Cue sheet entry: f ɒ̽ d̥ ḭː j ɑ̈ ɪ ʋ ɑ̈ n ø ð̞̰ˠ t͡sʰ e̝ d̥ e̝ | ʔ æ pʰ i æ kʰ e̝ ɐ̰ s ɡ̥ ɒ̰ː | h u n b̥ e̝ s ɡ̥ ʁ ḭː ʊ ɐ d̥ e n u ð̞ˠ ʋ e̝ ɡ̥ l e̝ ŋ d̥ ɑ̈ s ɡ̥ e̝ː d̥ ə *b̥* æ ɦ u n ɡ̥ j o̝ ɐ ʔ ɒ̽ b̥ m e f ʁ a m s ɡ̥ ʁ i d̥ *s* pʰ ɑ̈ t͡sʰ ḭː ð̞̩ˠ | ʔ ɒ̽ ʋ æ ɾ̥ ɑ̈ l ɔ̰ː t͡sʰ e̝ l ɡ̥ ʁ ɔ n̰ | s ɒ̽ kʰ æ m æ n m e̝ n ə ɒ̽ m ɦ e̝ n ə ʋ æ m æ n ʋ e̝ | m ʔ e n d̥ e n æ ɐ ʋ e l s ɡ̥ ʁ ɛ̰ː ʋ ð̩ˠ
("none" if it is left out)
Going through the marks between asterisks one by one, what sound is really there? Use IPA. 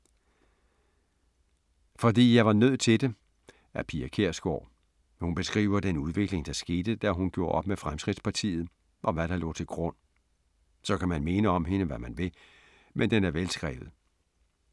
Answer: d̥, s

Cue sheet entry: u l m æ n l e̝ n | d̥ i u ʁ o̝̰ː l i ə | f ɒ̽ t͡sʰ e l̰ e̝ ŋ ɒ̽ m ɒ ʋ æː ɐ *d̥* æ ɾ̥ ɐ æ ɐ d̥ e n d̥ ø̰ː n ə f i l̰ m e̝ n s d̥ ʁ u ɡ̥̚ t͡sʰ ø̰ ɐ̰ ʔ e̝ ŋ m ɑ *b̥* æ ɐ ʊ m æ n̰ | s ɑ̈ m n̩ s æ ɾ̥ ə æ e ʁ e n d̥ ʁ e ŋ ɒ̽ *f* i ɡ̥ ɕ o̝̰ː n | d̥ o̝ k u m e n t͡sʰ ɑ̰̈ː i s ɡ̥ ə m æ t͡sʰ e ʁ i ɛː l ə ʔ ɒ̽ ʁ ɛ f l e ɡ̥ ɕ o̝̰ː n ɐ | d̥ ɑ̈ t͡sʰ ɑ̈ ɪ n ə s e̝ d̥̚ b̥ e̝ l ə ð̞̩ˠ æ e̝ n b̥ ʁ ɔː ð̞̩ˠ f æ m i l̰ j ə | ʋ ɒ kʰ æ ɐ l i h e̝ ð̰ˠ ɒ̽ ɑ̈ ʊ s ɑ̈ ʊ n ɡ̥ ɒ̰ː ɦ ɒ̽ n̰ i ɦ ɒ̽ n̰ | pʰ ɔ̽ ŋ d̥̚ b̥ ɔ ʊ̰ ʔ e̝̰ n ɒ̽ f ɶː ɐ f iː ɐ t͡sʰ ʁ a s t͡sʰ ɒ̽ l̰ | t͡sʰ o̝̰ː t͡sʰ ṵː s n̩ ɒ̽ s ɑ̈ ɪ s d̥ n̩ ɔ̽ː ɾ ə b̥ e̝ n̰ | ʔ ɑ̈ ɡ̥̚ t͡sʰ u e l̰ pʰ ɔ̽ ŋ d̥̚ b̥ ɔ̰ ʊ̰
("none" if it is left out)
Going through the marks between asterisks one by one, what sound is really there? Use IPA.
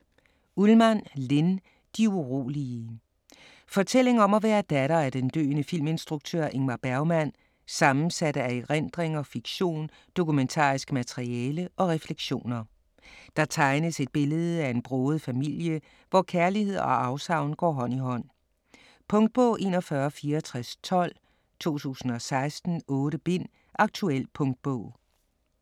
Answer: d̥, b̥, f

